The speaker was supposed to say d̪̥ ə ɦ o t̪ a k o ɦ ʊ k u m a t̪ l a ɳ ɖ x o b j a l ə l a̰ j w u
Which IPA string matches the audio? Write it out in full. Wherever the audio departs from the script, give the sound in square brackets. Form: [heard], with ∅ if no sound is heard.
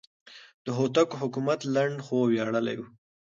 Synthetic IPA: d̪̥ ə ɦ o t̪ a k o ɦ ʊ k u m a t̪ l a ɳ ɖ x o [w] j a [ɽ] ə l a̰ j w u